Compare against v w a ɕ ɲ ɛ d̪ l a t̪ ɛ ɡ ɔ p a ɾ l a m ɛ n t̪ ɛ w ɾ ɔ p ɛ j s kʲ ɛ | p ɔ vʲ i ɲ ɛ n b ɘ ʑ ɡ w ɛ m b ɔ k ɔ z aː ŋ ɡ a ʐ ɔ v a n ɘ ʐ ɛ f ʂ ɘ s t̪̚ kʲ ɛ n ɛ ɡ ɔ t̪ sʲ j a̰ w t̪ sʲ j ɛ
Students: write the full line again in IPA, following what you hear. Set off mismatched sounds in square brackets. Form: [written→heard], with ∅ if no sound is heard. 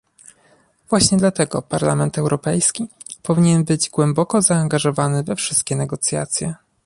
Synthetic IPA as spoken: v w a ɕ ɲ ɛ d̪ l a t̪ ɛ ɡ ɔ p a ɾ l a m ɛ n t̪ ɛ w ɾ ɔ p ɛ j s kʲ [ɛ→i] | p ɔ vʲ i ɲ ɛ n b ɘ [ʑ→d͡ʑ] ɡ w ɛ m b ɔ k ɔ z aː ŋ ɡ a ʐ ɔ v a n ɘ [ʐ→v] ɛ f ʂ ɘ s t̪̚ kʲ ɛ n ɛ ɡ ɔ t̪ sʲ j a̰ [w→∅] t̪ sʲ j ɛ